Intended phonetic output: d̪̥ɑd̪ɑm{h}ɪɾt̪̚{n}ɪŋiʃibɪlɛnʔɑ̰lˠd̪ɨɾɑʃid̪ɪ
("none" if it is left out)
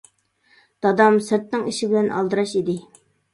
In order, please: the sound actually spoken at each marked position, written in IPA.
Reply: s, n

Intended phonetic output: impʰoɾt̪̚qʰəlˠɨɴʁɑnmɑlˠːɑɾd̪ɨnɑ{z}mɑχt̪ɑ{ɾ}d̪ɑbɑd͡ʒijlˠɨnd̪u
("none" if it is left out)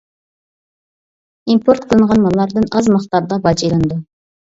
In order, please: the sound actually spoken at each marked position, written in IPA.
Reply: z, ɾ

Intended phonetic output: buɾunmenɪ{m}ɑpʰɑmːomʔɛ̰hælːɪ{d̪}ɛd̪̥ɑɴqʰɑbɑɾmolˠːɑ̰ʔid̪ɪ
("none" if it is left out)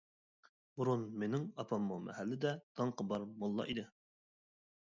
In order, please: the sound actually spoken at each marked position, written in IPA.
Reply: ŋ, d̪

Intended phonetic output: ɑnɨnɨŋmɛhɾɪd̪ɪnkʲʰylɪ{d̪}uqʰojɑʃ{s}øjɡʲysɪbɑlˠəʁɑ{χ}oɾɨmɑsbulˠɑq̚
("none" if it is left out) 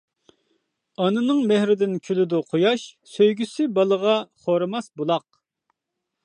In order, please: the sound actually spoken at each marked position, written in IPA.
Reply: d̪, s, χ

